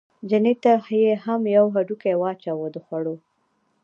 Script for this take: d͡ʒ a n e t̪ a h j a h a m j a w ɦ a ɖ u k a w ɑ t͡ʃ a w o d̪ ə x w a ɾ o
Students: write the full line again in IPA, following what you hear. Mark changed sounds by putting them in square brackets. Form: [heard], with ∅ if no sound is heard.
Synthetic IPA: d͡ʒ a n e t̪ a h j [e] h a m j a w ɦ a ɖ u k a w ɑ t͡ʃ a w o d̪ ə x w a [ɽ] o

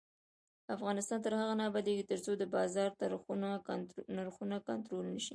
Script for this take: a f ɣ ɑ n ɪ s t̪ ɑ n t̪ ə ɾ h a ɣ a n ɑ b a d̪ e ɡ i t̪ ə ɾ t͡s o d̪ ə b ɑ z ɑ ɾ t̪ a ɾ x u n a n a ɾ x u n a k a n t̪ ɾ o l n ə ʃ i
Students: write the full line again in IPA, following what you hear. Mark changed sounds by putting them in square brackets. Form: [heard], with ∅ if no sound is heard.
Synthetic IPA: a f ɣ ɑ n ɪ s t̪ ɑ n t̪ ə ɾ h a ɣ a n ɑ b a d̪ e ɡ i t̪ ə ɾ t͡s o d̪ ə b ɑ z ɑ ɾ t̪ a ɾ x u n a n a ɾ x u n a k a n t̪ ɾ o l n ə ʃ i

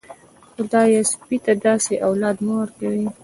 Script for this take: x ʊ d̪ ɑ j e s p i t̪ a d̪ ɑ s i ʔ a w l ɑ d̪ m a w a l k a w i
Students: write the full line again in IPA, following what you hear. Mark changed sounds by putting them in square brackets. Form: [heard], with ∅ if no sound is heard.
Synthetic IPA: x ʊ d̪ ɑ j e s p i t̪ a d̪ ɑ s [e] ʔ a w l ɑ d̪ m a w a [ɾ] k a w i

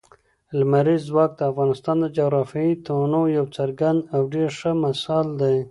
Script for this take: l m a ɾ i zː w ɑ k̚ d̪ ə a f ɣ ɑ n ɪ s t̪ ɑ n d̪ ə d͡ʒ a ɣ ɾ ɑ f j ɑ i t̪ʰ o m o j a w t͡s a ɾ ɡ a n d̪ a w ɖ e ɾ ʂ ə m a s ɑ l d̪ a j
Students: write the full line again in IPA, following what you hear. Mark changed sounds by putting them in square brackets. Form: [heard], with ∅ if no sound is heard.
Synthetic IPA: l m a ɾ i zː w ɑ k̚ d̪ ə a f ɣ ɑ n ɪ s t̪ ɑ n d̪ ə d͡ʒ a ɣ ɾ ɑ f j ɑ i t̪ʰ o [n] o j a w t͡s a ɾ ɡ a n d̪ a w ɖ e ɾ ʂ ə m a s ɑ l d̪ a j

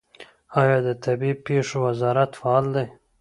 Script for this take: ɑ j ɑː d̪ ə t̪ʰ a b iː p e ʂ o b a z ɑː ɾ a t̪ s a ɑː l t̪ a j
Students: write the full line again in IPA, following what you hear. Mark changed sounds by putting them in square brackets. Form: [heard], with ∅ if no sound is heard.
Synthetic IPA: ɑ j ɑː d̪ ə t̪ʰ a b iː p e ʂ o [w] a z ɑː ɾ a t̪ [f] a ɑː l [d̪] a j

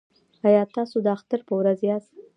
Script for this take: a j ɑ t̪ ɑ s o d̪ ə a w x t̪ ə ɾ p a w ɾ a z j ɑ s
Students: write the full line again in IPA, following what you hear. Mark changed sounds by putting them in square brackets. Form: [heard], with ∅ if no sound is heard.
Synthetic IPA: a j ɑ t̪ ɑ s o d̪ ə a [∅] x t̪ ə ɾ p [ə] w ɾ a z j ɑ s

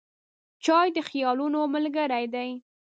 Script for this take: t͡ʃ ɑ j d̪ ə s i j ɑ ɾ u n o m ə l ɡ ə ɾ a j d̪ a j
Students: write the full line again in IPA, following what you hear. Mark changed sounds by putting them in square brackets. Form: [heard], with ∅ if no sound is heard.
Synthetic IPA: t͡ʃ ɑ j d̪ ə [x] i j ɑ [l] u n o m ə l ɡ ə ɾ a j d̪ a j

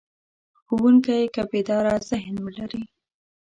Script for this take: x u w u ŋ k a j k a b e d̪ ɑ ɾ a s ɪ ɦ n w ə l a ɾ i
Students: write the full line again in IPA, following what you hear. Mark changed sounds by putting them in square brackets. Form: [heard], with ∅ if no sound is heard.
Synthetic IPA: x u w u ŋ k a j k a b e d̪ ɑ ɾ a [z] ɪ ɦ n w ə l a ɾ i

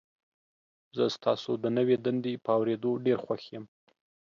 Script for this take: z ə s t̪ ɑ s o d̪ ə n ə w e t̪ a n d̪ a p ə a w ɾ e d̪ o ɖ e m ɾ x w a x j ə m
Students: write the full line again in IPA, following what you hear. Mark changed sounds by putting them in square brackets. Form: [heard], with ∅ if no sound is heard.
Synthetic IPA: z ə s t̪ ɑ s o d̪ ə n ə w e [d̪] a n d̪ [e] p ə a w ɾ e d̪ o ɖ e [∅] ɾ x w a x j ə m

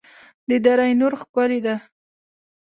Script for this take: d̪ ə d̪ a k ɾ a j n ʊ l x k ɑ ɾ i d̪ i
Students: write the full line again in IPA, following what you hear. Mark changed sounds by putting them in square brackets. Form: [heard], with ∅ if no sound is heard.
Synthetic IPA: d̪ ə d̪ a [∅] ɾ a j n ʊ [ɾ] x k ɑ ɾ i d̪ [a]

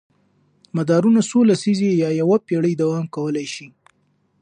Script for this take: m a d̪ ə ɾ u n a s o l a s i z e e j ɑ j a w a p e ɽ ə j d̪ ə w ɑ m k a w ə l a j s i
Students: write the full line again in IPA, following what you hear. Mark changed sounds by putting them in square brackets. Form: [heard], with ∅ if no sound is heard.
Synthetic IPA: m a d̪ [ɑ] ɾ u n a s o l a s i z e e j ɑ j a w a p e ɽ ə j d̪ [a] w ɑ m k a w ə l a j [ʃ] i

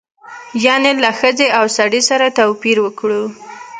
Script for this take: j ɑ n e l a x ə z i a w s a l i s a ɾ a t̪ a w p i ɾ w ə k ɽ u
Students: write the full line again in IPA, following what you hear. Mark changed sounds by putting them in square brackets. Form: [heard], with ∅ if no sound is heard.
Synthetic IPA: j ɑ n e l a x ə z [e] a w s a [ɽ] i s a ɾ a t̪ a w p i ɾ w ə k ɽ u

